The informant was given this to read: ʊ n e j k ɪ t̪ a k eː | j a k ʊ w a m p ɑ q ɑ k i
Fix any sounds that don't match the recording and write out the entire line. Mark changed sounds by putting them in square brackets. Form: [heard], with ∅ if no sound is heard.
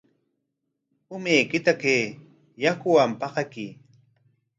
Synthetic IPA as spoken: ʊ [m] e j k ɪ t̪ a k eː | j a k ʊ w a m p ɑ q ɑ k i